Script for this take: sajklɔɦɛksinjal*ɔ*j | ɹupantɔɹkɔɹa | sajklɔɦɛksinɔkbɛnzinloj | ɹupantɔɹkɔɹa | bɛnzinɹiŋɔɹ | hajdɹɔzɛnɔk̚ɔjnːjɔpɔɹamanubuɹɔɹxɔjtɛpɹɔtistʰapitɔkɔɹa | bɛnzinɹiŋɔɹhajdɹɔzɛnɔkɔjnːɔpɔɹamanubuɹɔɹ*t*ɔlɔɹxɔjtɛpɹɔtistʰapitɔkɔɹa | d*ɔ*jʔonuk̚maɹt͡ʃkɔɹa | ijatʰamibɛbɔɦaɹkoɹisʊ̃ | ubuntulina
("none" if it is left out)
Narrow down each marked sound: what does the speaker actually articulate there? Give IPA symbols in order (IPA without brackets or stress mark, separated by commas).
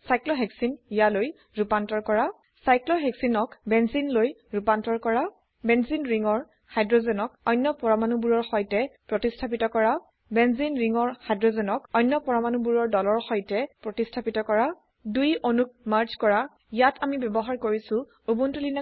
o, d, u